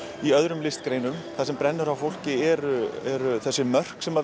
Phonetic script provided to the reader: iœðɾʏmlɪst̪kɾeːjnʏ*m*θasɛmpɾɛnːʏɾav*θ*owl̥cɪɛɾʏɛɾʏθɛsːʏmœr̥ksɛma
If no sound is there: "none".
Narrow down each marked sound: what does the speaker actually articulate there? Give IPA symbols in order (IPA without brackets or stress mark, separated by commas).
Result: m, f